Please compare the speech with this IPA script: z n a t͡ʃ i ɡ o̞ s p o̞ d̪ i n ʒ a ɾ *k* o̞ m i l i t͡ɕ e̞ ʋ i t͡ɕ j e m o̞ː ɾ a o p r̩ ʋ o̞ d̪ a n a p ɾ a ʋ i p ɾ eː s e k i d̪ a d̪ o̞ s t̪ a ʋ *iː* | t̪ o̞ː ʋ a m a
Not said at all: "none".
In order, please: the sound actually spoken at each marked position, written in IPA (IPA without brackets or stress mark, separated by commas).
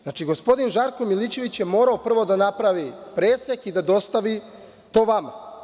k, i